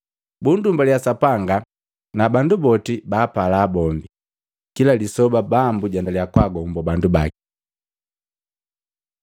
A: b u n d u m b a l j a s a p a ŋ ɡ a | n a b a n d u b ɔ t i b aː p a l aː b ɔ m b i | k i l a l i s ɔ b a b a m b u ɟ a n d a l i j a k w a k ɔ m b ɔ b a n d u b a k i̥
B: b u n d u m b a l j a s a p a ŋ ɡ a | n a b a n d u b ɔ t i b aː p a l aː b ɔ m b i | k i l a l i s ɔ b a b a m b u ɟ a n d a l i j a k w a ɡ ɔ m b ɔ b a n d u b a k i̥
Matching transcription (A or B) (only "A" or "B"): B